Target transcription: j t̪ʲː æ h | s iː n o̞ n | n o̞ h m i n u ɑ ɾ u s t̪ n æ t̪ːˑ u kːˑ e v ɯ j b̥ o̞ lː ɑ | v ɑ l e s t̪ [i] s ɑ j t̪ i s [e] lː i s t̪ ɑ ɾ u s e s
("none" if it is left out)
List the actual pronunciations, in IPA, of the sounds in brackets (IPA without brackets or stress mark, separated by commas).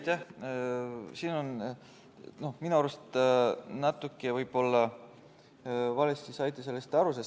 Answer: i, e